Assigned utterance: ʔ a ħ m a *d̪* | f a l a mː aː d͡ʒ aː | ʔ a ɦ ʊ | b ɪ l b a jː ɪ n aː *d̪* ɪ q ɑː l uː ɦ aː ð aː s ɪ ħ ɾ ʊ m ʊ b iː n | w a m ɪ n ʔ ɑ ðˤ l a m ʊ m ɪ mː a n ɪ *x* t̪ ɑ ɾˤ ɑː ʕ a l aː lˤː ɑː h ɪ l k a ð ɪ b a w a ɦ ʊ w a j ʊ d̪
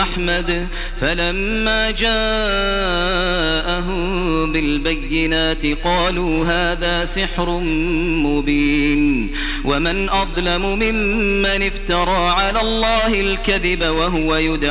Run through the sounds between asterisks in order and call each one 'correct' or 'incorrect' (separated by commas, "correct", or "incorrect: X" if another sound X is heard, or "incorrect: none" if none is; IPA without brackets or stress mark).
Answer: correct, incorrect: t̪, incorrect: f